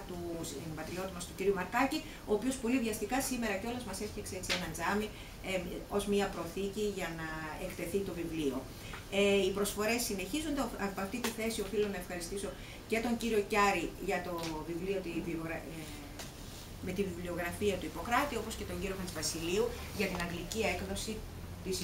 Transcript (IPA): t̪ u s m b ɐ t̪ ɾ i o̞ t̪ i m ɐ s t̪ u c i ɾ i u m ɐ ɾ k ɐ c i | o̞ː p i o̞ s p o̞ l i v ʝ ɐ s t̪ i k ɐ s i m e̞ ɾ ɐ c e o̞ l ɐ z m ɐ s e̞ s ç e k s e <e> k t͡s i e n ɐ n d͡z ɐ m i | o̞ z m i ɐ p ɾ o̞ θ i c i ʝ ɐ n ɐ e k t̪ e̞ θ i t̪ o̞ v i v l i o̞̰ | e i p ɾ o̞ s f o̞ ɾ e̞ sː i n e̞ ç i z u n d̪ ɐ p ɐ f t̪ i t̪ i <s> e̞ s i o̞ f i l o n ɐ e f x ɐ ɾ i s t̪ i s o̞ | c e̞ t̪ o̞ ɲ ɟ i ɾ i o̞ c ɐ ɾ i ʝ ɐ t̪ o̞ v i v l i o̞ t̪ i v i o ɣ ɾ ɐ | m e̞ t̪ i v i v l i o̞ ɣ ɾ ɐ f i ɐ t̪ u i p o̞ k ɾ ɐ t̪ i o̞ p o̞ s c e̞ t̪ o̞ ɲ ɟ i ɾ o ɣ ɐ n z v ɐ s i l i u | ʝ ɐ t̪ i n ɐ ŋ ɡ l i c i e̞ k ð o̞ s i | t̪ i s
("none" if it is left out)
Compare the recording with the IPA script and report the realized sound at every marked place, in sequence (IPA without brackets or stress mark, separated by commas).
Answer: e, θ